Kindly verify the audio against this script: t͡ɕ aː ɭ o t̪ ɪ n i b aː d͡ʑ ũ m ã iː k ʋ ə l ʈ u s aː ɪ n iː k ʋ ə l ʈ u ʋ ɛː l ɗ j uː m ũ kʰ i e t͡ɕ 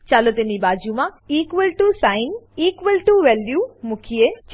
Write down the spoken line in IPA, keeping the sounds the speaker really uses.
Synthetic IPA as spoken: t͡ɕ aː l o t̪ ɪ n i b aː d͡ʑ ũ m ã iː k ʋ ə l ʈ u s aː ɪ n iː k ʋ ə l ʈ u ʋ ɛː l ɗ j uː m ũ kʰ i e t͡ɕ